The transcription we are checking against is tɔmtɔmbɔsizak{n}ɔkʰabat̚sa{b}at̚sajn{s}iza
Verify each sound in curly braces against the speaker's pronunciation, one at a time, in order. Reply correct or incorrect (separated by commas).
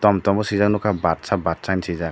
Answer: correct, correct, correct